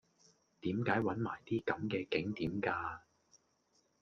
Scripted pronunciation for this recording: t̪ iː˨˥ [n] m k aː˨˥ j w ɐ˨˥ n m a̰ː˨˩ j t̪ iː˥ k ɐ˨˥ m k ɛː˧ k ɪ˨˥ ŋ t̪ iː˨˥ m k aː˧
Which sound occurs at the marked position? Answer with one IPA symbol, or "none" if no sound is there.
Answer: none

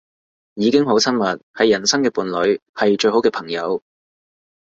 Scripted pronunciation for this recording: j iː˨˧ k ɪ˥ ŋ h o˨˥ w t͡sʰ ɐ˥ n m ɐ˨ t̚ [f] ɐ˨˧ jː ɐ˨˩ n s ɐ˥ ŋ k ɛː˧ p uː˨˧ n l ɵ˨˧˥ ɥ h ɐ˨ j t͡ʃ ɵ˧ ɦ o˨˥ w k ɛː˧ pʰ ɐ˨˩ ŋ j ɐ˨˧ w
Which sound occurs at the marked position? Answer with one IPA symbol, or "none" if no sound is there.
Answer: h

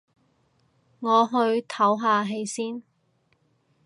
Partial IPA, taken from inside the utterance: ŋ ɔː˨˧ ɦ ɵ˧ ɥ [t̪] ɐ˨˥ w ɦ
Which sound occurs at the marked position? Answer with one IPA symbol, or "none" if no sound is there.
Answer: t̪ʰ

